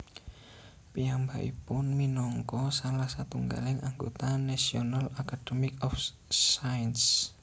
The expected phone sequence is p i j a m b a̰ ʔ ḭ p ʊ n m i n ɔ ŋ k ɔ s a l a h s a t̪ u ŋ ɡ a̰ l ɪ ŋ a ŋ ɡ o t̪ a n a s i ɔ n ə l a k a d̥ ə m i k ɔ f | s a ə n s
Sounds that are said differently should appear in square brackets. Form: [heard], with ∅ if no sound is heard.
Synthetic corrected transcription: p i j a m b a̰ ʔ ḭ p ʊ n m i n ɔ ŋ k ɔ s a l a h s a t̪ u ŋ ɡ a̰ l ɪ ŋ a ŋ ɡ o t̪ a n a s i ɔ n [a] l a k a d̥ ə m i k ɔ f | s a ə n s

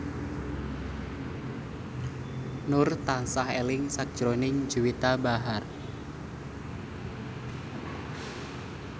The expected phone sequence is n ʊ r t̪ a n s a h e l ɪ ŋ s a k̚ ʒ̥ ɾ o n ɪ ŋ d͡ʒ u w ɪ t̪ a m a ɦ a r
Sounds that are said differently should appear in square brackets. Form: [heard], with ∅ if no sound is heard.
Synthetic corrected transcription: n ʊ r t̪ a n s a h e l ɪ ŋ s a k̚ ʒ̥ ɾ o n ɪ ŋ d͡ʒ u w [i] t̪ a [b] a ɦ a r

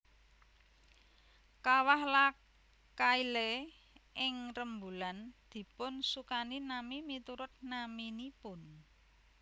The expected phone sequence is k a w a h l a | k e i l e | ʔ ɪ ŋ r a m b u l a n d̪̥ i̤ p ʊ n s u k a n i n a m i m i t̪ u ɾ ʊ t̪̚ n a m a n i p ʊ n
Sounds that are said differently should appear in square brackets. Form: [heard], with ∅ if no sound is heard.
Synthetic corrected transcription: k a w a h l a | k [a] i l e | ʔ ɪ ŋ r [ə] m b u l a n d̪̥ i̤ p ʊ n s u k a n i n a m i m i t̪ u ɾ ʊ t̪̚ n a m [i] n i p ʊ n

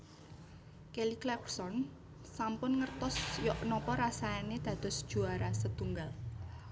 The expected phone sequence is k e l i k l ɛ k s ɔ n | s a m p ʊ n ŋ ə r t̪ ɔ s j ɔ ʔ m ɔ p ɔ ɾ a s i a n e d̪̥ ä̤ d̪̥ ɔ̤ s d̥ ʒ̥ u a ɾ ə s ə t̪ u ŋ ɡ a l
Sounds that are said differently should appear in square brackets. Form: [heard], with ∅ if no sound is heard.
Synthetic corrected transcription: k e l i k l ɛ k s ɔ n | s a m p ʊ n ŋ ə r t̪ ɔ s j ɔ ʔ [n] ɔ p ɔ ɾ a s [a] a n e d̪̥ ä̤ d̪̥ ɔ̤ s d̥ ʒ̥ u a ɾ [a] s ə t̪ u ŋ ɡ a l

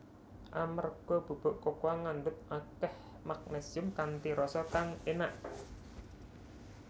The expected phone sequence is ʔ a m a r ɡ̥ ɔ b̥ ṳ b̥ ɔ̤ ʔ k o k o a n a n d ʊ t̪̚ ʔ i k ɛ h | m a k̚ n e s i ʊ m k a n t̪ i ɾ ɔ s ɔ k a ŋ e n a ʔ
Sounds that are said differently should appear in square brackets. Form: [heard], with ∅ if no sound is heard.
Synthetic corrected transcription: ʔ a m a r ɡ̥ ɔ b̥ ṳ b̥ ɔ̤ ʔ k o k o a [ŋ] a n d ʊ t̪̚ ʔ [a] k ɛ h | m a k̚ n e s i ʊ m k a n t̪ i ɾ ɔ s ɔ k a ŋ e n a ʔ

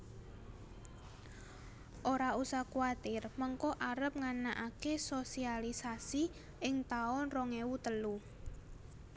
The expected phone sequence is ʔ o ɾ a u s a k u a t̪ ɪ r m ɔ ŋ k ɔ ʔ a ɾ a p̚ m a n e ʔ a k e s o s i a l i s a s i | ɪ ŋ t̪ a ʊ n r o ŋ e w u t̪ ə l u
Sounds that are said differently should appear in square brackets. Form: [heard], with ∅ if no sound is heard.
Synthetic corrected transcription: ʔ o ɾ a u s a k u a t̪ ɪ r m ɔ ŋ k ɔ ʔ a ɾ [ə] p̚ [ŋ] a n [a] ʔ a k e s o s i a l i s a s i | ɪ ŋ t̪ a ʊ n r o ŋ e w u t̪ ə l u

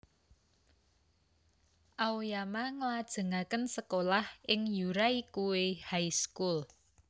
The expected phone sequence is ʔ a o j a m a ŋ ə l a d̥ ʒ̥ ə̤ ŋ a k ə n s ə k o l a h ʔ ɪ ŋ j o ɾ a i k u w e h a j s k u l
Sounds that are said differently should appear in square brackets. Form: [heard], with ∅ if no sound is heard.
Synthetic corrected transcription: ʔ a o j a m a ŋ ə l a d̥ ʒ̥ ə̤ ŋ a k ə n s ə k o l a h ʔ ɪ ŋ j [u] ɾ a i k u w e h a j s k u l

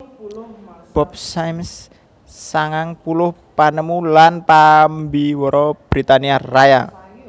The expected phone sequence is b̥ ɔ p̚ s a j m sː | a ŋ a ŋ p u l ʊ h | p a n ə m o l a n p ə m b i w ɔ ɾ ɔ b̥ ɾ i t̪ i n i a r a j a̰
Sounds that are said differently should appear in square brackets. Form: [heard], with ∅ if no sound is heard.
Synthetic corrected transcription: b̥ ɔ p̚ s a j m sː | a ŋ a ŋ p u l ʊ h | p a n ə m [u] l a n p [a] m b i w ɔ ɾ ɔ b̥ ɾ i t̪ [a] n i a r a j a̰

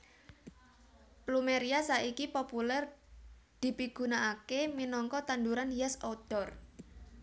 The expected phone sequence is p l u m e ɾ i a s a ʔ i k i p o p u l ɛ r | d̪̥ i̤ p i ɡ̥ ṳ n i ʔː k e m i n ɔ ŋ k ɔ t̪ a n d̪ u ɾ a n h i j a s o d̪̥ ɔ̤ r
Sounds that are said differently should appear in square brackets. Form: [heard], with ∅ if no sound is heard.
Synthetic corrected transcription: p l u m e ɾ i a s a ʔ i k i p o p u l ɛ r | d̪̥ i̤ p i ɡ̥ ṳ n [a] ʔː k e m i n ɔ ŋ k ɔ t̪ a n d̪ u ɾ a n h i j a s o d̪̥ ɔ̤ r

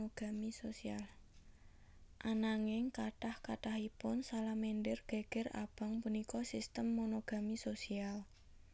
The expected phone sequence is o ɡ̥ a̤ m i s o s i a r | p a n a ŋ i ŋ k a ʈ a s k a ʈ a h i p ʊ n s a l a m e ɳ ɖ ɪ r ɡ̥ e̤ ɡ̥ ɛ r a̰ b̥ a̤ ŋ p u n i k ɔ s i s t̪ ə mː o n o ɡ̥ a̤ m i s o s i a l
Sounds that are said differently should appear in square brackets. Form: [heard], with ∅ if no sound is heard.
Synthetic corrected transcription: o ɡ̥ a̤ m i s o s i a [l] | [ʔ] a n a ŋ [ɪ] ŋ k a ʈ a [h] k a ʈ a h i p ʊ n s a l a m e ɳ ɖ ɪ r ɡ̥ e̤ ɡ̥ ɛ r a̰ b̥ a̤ ŋ p u n i k ɔ s i s t̪ ə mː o n o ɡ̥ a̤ m i s o s i a l

